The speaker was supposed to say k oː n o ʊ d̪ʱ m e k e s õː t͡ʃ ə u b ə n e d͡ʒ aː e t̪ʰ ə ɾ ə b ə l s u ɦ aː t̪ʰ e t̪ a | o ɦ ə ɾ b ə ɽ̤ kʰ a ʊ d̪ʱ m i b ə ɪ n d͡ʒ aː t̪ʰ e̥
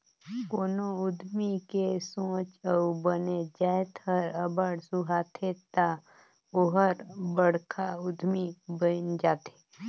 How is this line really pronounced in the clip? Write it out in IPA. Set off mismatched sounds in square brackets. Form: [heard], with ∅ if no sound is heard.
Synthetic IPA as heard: k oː n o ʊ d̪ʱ m [i] k e s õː t͡ʃ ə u b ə n e d͡ʒ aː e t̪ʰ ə ɾ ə b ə [ɽ] s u ɦ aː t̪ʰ e t̪ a | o ɦ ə ɾ b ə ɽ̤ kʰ a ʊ d̪ʱ m i b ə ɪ n d͡ʒ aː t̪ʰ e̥